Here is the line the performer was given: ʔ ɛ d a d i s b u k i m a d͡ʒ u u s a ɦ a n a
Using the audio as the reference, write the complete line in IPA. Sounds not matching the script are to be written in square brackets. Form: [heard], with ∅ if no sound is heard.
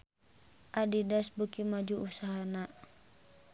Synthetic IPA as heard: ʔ [a] d [i] d [a] s b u k i m a d͡ʒ u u s a ɦ a n a